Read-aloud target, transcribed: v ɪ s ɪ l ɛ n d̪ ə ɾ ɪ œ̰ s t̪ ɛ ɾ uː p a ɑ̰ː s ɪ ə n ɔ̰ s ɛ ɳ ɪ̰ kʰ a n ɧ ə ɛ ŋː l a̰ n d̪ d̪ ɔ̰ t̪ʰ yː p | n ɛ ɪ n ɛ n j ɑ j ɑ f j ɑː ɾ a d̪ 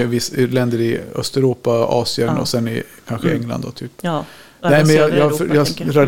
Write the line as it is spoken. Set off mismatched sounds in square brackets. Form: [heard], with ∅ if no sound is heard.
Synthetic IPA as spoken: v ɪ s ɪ l ɛ n d̪ ə ɾ ɪ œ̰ s t̪ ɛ ɾ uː p a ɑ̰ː s ɪ ə n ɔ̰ s ɛ [n] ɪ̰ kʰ a n ɧ ə ɛ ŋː l a̰ n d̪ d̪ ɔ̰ t̪ʰ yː p | n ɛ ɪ [m] ɛ n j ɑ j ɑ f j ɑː ɾ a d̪